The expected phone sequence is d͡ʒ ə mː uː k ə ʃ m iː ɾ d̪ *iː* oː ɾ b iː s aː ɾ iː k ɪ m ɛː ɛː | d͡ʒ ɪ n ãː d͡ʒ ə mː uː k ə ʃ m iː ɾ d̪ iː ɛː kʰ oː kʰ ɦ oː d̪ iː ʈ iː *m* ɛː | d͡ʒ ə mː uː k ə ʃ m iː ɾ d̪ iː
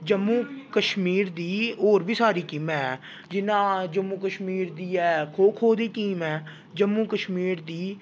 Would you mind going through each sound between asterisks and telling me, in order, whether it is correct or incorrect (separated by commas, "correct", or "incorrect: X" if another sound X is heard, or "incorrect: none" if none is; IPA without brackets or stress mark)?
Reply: correct, correct